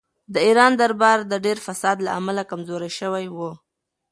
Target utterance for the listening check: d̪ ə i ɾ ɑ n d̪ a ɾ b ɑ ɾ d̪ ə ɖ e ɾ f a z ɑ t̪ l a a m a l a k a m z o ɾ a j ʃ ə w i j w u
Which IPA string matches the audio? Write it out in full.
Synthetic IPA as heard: d̪ ə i ɾ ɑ n d̪ a ɾ b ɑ ɾ d̪ ə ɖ e ɾ f a s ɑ d̪ l a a m a l a k a m z o ɾ a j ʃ ə w a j w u